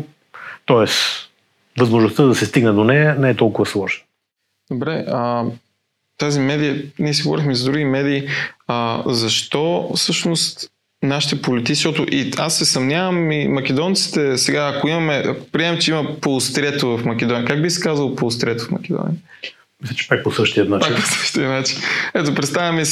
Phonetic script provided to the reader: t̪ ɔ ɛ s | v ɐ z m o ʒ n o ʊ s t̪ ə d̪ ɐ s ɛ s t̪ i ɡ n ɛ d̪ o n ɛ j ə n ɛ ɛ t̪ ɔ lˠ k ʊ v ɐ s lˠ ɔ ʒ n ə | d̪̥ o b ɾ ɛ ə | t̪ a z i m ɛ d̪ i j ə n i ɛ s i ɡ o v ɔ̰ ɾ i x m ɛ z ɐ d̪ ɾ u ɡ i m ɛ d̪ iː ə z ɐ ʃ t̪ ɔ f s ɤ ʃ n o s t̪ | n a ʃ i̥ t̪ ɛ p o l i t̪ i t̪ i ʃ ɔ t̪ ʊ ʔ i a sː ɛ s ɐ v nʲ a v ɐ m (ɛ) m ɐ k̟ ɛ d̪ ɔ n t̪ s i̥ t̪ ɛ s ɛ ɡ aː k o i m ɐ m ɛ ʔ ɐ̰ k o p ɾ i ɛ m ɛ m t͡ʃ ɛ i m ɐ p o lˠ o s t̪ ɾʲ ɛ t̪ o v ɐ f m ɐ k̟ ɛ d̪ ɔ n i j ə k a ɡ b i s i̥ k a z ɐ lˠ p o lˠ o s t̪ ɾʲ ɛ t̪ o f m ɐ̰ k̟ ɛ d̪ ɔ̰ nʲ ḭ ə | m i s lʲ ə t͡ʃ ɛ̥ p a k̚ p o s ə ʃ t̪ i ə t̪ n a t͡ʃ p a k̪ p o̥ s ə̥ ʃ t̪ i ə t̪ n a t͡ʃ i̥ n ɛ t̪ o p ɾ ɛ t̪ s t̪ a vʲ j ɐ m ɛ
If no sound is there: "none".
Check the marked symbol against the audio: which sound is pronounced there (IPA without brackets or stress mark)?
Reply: i